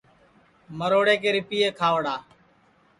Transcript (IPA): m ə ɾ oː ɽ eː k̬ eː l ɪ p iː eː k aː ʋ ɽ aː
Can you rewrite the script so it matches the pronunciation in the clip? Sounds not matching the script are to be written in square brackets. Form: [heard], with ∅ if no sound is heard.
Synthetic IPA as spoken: m ə ɾ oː ɽ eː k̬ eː [ɾ] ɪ p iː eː [kʰ] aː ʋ ɽ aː